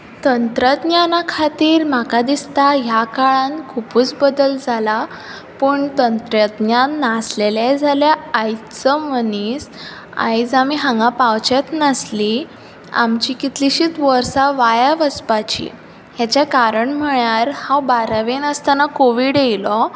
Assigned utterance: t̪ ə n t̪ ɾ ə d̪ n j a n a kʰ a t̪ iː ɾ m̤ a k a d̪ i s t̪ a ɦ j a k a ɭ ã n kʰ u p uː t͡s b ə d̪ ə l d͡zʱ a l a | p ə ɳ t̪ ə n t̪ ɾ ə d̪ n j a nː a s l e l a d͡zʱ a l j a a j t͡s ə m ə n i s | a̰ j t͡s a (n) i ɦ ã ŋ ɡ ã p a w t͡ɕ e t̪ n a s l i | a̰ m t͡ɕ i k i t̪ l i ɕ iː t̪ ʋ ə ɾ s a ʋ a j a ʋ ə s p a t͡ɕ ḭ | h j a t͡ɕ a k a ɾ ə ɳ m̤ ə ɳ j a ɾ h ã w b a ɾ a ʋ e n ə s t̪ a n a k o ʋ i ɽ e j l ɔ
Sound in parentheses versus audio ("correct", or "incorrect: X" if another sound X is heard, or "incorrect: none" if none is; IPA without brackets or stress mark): incorrect: m